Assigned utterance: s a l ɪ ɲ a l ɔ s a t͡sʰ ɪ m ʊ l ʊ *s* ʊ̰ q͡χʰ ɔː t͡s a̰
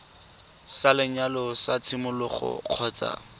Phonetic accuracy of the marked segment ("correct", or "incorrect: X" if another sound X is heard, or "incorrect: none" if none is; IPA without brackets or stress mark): incorrect: χ